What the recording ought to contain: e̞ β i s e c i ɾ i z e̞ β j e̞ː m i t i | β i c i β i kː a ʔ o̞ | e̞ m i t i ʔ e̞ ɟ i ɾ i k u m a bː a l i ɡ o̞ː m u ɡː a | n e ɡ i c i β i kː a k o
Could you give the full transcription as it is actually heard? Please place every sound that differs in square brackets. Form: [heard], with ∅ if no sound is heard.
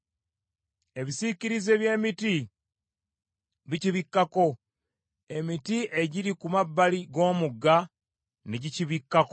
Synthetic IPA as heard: e̞ β i s [i] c i ɾ i z e̞ β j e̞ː m i t i | β i c i β i kː a [k] o̞ | e̞ m i t i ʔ e̞ ɟ i ɾ i k u m a bː a l i ɡ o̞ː m u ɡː a | n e [ɟ] i c i β i kː a k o